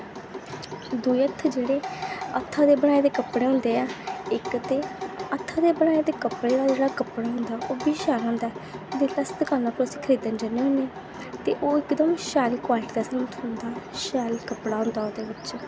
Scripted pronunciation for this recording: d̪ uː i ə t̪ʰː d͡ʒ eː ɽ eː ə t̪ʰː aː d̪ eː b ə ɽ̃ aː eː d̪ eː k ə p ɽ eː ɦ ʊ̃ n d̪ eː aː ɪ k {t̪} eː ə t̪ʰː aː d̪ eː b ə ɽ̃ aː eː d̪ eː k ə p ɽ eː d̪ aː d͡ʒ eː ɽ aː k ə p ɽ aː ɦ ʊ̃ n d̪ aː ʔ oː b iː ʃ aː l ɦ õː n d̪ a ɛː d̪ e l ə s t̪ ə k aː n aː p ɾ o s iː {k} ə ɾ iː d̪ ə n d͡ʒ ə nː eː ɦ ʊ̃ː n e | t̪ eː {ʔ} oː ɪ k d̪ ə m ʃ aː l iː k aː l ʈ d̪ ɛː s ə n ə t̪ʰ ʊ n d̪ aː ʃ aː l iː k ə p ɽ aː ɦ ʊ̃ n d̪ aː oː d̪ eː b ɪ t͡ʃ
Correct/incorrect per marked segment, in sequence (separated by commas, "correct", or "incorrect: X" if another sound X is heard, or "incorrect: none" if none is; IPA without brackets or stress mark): correct, incorrect: kʰ, correct